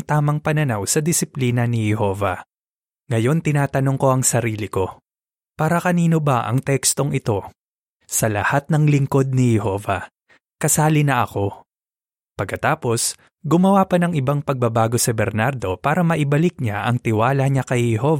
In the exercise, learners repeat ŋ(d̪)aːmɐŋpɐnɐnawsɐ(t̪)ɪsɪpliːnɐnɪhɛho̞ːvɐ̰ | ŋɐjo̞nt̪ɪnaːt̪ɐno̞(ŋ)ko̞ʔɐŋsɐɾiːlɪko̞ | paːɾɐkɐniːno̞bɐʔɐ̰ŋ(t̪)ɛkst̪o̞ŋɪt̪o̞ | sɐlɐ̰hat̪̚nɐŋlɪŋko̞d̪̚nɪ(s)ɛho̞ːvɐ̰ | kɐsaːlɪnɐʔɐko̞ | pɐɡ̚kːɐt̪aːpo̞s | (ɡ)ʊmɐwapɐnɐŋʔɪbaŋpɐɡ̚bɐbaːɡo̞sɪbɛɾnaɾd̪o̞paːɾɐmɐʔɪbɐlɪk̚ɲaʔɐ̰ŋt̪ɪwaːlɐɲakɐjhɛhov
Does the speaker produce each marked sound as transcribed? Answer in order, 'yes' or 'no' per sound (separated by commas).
no, no, yes, yes, no, yes